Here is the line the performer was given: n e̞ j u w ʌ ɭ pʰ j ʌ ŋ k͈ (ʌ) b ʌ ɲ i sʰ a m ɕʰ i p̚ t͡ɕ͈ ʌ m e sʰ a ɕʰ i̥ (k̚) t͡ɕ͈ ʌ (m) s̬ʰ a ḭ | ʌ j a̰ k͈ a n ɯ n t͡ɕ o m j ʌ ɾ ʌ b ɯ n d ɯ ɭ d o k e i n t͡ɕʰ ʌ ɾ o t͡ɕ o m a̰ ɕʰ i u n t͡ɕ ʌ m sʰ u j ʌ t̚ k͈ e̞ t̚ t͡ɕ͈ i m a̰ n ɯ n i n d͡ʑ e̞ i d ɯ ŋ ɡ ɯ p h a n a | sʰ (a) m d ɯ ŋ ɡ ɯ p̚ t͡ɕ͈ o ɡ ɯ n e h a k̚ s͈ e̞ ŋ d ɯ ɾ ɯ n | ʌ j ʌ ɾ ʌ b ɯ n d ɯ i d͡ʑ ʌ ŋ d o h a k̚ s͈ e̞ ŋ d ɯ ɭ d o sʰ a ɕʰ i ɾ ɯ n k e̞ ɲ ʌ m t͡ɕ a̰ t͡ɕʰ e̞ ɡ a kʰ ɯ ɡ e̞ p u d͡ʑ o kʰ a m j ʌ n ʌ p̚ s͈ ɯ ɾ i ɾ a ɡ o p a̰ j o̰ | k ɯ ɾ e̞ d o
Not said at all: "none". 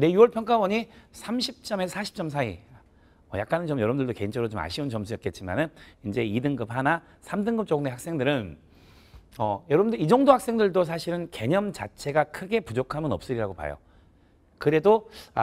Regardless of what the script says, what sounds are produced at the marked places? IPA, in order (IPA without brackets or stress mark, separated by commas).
a, p̚, m, a